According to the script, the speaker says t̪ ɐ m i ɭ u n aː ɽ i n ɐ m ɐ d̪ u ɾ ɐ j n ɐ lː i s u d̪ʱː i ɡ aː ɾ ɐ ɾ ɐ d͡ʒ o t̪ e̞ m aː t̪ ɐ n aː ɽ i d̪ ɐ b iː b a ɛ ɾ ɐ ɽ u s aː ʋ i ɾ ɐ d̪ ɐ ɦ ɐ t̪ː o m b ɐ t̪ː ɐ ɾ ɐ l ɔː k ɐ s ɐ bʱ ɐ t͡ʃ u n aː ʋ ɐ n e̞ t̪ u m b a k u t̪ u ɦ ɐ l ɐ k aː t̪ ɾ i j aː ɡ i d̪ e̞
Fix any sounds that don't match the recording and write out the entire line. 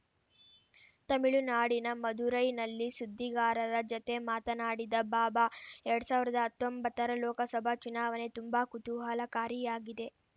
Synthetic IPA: t̪ ɐ m i ɭ u n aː ɽ i n ɐ m ɐ d̪ u ɾ ɐ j n ɐ lː i s u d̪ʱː i ɡ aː ɾ ɐ ɾ ɐ d͡ʒ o t̪ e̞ m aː t̪ ɐ n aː ɽ i d̪ ɐ b aː b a ɛ ɾ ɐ ɽ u s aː ʋ i ɾ ɐ d̪ ɐ ɦ ɐ t̪ː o m b ɐ t̪ː ɐ ɾ ɐ l ɔː k ɐ s ɐ bʱ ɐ t͡ʃ u n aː ʋ ɐ n e̞ t̪ u m b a k u t̪ u ɦ ɐ l ɐ k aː ɾ i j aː ɡ i d̪ e̞

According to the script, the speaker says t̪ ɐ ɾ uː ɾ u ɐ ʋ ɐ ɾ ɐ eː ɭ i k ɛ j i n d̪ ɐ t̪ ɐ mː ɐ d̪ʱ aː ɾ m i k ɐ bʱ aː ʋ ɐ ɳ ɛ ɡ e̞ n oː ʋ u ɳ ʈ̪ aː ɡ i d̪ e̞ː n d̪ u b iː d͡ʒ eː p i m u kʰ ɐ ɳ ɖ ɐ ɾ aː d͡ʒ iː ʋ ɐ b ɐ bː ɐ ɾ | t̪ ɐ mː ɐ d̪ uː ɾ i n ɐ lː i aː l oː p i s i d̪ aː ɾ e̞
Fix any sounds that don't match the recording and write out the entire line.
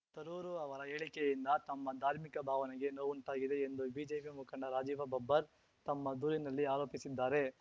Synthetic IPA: t̪ ɐ ɾ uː ɾ u ɐ ʋ ɐ ɾ ɐ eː ɭ i k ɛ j i n d̪ ɐ t̪ ɐ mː ɐ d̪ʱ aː ɾ m i k ɐ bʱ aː ʋ ɐ n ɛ ɡ e̞ n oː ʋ u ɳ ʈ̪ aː ɡ i d̪ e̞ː n d̪ u b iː d͡ʒ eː p i m u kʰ ɐ ɳ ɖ ɐ ɾ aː d͡ʒ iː ʋ ɐ b ɐ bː ɐ ɾ | t̪ ɐ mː ɐ d̪ uː ɾ i n ɐ lː i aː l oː p i s i d̪ː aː ɾ e̞

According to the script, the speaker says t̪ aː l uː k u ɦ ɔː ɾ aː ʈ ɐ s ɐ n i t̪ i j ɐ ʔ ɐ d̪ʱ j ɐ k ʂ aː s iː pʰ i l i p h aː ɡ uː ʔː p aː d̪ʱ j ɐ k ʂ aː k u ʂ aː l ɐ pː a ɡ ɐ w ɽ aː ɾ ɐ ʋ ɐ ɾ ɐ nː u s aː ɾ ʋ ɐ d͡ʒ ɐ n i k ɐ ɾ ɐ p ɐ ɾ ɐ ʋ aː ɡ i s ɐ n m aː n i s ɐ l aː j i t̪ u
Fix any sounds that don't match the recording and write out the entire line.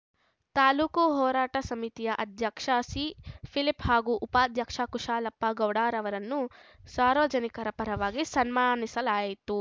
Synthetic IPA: t̪ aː l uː k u ɦ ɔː ɾ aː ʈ ɐ s ɐ m i t̪ i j ɐ ʔ ɐ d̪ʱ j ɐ k ʂ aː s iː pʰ i l i p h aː ɡ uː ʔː p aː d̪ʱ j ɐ k ʂ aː k u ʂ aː l ɐ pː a ɡ ɐ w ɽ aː ɾ ɐ ʋ ɐ ɾ ɐ nː u s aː ɾ ʋ ɐ d͡ʒ ɐ n i k ɐ ɾ ɐ p ɐ ɾ ɐ ʋ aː ɡ i s ɐ n m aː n i s ɐ l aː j i t̪ u

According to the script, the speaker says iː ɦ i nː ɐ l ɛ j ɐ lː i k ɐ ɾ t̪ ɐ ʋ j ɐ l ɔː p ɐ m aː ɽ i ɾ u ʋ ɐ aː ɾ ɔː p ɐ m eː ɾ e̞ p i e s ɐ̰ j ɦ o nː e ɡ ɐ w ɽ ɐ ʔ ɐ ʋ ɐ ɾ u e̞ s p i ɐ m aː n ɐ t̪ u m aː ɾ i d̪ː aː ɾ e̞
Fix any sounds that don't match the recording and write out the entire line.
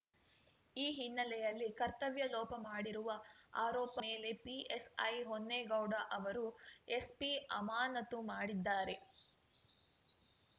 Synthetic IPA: iː ɦ i nː ɐ l ɛ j ɐ lː i k ɐ ɾ t̪ ɐ ʋ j ɐ l ɔː p ɐ m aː ɽ i ɾ u ʋ ɐ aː ɾ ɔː p ɐ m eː l e̞ p i e s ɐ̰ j ɦ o nː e ɡ ɐ w ɽ ɐ ʔ ɐ ʋ ɐ ɾ u e̞ s p i ɐ m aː n ɐ t̪ u m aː ɽ i d̪ː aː ɾ e̞

